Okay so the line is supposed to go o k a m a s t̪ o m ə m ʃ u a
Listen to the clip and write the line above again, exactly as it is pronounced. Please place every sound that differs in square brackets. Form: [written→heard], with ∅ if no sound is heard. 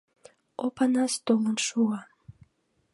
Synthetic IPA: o [k→p] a [m→n] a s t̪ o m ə [m→n] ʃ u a